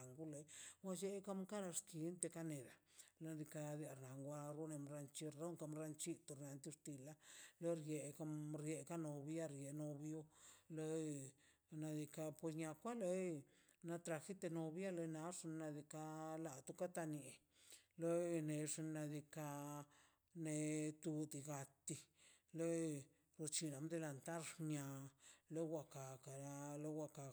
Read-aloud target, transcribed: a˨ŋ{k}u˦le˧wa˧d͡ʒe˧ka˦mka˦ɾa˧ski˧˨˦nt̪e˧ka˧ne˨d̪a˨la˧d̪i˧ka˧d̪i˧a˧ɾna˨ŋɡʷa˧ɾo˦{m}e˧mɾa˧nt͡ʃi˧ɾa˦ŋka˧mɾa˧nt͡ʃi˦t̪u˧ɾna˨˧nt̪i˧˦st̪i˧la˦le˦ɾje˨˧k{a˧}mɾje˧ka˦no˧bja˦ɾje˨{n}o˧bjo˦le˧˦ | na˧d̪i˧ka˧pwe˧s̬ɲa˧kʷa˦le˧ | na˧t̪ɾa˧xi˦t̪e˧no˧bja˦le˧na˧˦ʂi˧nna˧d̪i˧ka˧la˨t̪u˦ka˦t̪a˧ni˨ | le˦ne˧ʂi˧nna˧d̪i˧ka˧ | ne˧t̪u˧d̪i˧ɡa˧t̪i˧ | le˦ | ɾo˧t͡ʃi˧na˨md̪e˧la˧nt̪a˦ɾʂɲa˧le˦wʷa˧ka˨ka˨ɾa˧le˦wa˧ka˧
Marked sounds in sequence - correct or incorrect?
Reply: incorrect, incorrect, correct, correct

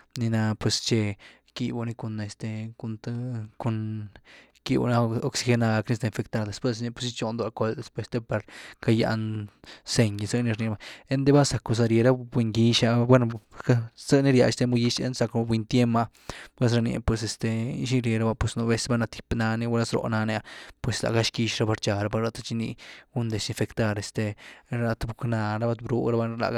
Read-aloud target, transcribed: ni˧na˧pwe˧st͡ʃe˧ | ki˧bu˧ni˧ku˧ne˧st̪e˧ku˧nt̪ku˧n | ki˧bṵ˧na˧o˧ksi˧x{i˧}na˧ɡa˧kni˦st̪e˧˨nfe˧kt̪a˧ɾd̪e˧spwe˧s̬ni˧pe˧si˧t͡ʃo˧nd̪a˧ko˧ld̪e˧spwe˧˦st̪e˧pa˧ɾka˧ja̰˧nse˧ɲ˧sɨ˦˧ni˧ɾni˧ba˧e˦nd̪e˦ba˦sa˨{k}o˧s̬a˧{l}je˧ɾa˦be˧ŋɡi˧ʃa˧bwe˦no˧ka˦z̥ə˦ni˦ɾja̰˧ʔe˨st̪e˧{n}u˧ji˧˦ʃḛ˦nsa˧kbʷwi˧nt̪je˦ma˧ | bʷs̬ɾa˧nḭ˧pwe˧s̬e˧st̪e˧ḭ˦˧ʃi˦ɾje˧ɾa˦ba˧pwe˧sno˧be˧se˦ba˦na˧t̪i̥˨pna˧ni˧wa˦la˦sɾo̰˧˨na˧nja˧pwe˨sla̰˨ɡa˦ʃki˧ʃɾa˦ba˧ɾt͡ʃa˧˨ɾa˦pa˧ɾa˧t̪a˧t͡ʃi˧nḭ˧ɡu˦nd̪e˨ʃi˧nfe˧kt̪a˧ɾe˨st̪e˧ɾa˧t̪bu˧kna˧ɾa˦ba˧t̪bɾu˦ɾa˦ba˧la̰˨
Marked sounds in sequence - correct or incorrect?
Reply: incorrect, correct, incorrect, incorrect

